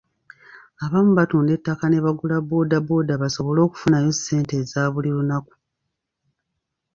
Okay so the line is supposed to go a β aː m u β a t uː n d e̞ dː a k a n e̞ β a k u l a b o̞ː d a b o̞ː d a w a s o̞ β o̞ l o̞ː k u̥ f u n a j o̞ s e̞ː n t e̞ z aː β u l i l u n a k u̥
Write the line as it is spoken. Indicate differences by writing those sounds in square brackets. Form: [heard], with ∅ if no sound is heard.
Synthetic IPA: a β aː m u β a t uː n d e̞ [tː] a k a n e̞ β a [ɡ] u l a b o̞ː d a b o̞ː d a [β] a s o̞ β o̞ l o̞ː k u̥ f u n a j o̞ s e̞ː n t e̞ z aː β u l i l u n a k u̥